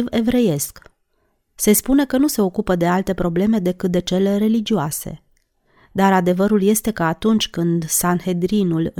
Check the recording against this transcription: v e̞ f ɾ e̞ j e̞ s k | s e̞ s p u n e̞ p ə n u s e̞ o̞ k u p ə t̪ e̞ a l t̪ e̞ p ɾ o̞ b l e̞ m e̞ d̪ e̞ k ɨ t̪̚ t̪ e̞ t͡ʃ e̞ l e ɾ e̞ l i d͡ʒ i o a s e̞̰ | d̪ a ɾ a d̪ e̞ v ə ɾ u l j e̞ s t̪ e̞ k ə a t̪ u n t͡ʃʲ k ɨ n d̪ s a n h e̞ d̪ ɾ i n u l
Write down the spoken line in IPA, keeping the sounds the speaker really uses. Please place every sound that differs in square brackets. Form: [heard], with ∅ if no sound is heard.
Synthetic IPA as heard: v e̞ [v] ɾ e̞ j e̞ s k | s e̞ s p u n e̞ [k] ə n u s e̞ o̞ k u p ə [d̪] e̞ a l t̪ e̞ p ɾ o̞ b l e̞ m e̞ d̪ e̞ k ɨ t̪̚ [d̪] e̞ t͡ʃ e̞ l e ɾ e̞ l i d͡ʒ i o a s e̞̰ | d̪ a ɾ a d̪ e̞ v ə ɾ u l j e̞ s t̪ e̞ k ə a t̪ u n t͡ʃʲ k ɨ n d̪ s a n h e̞ d̪ ɾ i n u l